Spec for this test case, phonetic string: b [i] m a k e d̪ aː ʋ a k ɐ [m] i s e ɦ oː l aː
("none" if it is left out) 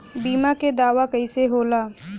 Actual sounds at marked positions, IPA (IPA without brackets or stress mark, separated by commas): iː, none